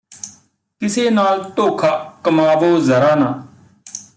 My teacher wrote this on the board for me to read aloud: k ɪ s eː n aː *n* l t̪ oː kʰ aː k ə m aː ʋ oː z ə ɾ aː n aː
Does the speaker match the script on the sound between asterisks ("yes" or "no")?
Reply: no